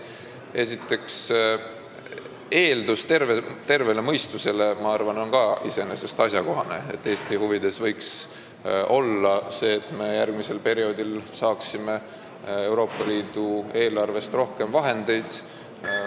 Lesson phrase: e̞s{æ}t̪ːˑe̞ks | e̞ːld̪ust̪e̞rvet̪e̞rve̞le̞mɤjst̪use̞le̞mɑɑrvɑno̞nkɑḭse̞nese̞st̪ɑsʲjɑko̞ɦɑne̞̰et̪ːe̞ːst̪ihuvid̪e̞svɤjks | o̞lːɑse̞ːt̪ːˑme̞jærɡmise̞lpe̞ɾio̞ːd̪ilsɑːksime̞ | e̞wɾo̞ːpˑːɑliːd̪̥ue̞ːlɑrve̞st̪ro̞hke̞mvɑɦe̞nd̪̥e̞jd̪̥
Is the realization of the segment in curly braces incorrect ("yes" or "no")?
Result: yes